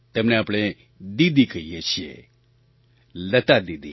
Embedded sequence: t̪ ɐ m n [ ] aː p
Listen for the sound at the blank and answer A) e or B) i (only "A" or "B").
A